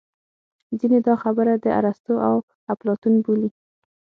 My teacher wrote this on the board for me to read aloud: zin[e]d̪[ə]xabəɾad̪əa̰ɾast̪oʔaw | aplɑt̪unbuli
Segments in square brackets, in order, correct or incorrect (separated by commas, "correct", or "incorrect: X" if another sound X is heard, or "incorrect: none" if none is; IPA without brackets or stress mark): correct, incorrect: ɑ